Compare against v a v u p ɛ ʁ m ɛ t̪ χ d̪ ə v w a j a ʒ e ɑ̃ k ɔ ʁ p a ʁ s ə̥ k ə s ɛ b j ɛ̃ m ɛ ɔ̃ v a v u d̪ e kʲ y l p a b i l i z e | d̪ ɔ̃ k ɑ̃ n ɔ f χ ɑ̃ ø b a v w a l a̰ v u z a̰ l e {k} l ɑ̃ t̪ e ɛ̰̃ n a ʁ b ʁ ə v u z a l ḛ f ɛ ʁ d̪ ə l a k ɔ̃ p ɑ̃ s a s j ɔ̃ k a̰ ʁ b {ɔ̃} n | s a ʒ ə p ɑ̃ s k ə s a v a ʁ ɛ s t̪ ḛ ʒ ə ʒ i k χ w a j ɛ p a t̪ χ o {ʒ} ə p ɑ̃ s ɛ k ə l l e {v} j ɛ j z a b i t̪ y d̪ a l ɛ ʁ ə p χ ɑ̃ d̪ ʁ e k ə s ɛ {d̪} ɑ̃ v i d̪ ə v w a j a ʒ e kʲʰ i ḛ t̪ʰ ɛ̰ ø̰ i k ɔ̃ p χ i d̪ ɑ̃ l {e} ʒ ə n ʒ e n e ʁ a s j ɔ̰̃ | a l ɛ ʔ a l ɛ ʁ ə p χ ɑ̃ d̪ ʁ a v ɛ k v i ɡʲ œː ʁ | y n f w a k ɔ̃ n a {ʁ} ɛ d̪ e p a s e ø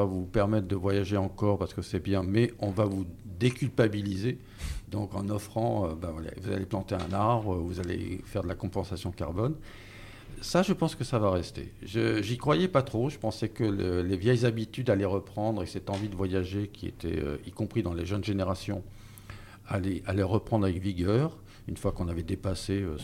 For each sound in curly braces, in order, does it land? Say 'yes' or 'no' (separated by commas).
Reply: no, no, yes, yes, no, yes, no